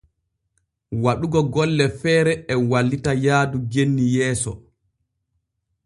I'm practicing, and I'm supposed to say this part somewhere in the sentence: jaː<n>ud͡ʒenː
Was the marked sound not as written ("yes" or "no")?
yes